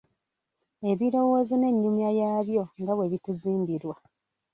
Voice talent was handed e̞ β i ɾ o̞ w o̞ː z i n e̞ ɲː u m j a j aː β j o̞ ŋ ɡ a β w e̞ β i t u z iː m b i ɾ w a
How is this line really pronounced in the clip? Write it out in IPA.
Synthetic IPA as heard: e̞ β i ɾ o̞ w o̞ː z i n e̞ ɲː u m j a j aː β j o̞ ŋ ɡ a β w e̞ β i t u z iː m b i ɾ w a